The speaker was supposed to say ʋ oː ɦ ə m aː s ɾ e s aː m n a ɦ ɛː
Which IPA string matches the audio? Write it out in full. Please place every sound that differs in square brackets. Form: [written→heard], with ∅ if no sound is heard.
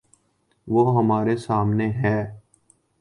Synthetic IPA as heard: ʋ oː ɦ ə m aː [s→∅] ɾ e s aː m n [a→e] ɦ ɛː